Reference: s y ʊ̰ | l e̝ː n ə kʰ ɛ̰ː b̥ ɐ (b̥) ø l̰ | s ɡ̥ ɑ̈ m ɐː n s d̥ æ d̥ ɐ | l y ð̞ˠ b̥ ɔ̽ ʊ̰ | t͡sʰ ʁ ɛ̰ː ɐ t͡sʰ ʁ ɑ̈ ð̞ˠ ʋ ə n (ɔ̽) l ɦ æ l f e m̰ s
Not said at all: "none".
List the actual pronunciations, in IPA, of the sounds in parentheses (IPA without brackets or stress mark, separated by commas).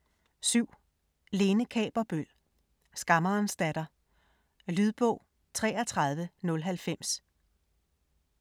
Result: b̥, ɔ̽